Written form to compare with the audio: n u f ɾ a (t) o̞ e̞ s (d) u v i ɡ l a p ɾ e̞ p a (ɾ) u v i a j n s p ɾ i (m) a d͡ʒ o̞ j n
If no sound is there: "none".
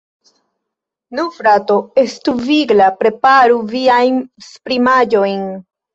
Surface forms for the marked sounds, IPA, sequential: t, t, ɾ, m

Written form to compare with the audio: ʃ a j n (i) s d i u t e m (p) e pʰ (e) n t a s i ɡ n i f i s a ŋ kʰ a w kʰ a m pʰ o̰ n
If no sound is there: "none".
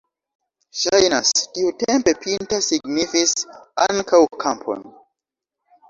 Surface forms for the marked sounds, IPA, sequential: a, p, i

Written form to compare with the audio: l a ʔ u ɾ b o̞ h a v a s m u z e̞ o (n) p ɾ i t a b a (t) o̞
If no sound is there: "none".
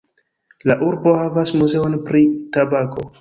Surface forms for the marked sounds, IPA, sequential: n, k

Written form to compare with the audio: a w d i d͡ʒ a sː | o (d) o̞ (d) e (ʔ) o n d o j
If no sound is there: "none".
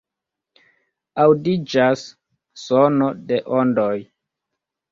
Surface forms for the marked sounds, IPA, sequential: n, d, ʔ

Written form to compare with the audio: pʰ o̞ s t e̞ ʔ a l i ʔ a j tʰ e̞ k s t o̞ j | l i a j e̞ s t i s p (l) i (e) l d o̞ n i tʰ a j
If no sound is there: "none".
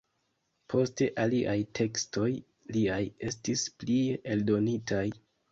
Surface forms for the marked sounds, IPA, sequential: l, e

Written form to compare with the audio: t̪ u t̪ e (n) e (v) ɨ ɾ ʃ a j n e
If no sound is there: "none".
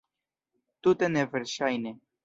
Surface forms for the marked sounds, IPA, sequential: n, v

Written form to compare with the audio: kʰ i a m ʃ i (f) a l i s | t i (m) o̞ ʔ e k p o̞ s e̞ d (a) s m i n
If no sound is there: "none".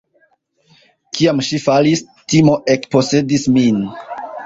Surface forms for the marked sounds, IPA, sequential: f, m, i

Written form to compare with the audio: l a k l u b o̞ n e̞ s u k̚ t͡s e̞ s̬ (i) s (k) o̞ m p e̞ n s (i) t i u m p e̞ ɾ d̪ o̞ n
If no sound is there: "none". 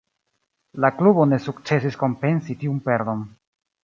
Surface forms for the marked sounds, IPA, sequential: i, k, i

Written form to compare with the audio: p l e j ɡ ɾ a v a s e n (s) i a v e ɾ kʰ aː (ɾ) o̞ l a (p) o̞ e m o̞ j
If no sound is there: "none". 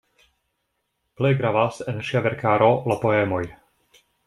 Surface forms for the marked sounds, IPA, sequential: ʃ, ɾ, p

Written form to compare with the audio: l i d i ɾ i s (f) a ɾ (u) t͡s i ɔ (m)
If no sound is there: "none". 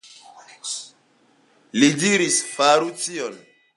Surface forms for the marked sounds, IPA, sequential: f, u, n

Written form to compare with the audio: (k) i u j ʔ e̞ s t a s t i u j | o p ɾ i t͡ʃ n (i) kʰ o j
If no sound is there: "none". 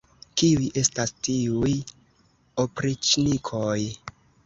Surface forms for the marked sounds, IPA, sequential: k, i

